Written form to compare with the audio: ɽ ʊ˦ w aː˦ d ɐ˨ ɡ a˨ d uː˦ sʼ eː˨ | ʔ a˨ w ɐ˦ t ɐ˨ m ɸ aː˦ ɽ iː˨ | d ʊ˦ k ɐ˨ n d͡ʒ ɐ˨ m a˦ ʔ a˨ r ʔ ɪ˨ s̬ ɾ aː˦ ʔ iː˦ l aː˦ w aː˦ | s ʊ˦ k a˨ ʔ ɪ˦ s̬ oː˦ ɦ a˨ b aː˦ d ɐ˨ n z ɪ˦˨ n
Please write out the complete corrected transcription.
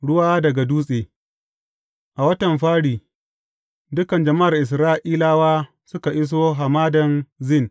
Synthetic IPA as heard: ɽ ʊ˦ w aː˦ d ɐ˨ ɡ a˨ d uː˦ sʼ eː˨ | ʔ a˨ w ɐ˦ t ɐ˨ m ɸ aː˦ ɽ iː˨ | d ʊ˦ k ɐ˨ n d͡ʒ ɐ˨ m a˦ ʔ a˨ r ʔ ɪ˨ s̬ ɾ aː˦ ʔ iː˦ l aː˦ w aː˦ | s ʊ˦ k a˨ ʔ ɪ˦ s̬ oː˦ ɦ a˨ m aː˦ d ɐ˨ n z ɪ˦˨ n